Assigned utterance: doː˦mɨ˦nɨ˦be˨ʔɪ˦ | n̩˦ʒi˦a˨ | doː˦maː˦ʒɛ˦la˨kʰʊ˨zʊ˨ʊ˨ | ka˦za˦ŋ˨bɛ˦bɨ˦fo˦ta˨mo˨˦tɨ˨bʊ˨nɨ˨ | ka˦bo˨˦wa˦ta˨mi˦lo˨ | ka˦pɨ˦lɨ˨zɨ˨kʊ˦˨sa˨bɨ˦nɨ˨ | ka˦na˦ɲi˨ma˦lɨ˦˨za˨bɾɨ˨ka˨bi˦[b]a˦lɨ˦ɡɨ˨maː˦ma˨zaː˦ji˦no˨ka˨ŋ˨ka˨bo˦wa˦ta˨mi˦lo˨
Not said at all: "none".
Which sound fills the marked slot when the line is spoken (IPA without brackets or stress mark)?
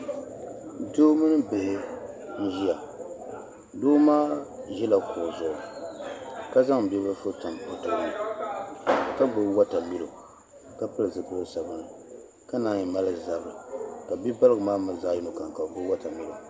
b